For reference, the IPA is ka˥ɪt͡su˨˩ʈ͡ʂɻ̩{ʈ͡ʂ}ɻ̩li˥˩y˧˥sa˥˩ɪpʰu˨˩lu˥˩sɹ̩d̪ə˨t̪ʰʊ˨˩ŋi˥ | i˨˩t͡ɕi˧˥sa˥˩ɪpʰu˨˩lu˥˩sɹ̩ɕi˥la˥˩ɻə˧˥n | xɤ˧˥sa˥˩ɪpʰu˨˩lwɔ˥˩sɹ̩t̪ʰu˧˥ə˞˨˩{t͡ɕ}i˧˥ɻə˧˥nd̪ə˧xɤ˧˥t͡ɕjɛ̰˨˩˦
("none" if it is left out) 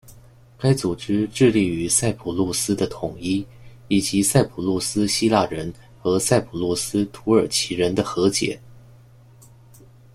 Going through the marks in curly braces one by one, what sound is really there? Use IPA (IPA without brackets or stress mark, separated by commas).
ʈ͡ʂ, t͡ɕʰ